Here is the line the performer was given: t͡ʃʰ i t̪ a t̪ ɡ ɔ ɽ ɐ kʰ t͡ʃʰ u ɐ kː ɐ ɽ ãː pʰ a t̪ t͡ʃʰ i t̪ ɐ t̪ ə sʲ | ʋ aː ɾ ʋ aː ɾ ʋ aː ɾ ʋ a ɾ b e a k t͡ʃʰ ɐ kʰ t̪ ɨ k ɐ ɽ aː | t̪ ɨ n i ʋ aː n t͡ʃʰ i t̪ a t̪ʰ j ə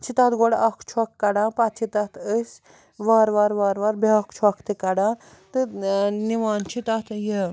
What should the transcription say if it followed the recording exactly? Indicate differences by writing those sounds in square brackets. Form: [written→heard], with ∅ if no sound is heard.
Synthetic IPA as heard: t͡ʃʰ i t̪ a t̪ ɡ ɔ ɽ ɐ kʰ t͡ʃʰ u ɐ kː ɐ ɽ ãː [pʰ→p] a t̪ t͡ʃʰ i t̪ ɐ t̪ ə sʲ | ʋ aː ɾ ʋ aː ɾ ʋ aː ɾ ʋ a ɾ b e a k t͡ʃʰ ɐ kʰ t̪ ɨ k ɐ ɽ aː | t̪ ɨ n i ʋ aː n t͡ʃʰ i t̪ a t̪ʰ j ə